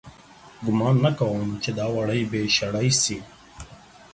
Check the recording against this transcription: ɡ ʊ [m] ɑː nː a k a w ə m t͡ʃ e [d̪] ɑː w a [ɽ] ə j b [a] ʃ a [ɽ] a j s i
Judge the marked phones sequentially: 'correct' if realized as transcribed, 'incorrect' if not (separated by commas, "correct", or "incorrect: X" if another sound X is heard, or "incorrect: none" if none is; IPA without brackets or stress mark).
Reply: correct, correct, correct, incorrect: e, correct